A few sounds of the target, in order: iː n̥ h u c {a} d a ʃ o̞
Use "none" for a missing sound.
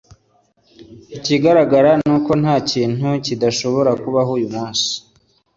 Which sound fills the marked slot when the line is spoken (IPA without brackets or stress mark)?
i